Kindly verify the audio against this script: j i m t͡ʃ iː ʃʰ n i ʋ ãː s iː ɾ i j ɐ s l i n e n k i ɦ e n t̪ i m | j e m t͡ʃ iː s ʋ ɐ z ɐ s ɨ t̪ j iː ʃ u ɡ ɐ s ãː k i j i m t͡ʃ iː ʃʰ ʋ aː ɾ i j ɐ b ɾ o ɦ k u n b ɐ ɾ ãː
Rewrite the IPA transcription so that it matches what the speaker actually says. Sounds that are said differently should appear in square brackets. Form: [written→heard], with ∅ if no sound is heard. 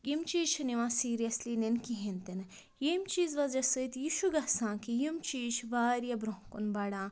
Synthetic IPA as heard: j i m t͡ʃ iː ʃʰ n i ʋ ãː s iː ɾ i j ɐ s l i n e n k i ɦ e n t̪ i [m→n] | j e m t͡ʃ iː [s→z] ʋ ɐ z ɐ s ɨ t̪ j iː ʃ u ɡ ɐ s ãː k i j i m t͡ʃ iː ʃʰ ʋ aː ɾ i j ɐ b ɾ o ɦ k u n b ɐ [ɾ→ɽ] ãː